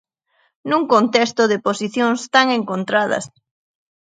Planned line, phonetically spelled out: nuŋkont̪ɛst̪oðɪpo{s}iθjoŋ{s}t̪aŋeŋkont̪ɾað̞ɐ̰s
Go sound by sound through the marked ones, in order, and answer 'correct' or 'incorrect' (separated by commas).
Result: correct, correct